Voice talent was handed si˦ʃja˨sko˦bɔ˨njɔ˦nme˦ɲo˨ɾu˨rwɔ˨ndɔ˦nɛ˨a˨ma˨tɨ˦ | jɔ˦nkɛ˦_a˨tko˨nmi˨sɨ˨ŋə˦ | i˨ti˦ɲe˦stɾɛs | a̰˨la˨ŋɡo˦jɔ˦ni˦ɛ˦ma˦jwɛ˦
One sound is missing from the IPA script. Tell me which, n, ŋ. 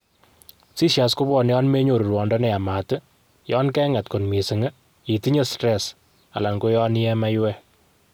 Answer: ŋ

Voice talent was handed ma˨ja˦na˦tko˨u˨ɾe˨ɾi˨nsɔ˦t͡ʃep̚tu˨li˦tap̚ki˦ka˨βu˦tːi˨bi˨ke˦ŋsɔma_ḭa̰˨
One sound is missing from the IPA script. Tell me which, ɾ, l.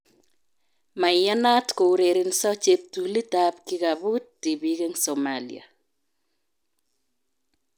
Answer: l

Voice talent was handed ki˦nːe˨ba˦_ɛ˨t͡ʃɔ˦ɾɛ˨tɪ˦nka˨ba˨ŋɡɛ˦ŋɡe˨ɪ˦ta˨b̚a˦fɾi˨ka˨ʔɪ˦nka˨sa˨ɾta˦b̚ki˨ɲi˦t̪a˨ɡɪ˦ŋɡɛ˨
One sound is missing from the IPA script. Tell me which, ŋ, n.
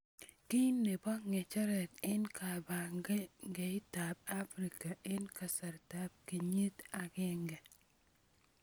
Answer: ŋ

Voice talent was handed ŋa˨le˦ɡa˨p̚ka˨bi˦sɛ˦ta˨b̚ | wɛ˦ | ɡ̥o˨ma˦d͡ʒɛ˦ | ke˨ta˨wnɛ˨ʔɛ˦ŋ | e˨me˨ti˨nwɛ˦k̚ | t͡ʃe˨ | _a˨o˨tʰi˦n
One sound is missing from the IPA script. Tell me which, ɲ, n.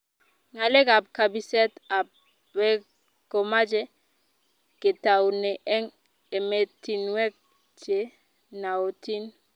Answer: n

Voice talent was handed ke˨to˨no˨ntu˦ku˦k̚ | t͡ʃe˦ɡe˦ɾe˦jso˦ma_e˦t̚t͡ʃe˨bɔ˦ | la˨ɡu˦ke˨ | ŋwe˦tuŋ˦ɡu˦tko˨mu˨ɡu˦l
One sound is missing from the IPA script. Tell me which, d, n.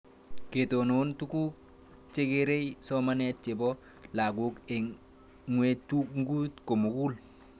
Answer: n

